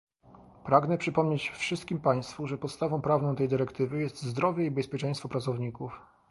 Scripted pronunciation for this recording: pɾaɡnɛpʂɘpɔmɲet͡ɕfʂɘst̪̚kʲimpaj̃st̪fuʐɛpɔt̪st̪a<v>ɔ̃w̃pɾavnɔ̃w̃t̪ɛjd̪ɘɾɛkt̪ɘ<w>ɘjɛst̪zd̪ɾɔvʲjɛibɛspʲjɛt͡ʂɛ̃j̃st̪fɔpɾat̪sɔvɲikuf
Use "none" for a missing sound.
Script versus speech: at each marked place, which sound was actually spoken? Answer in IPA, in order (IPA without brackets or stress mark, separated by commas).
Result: v, v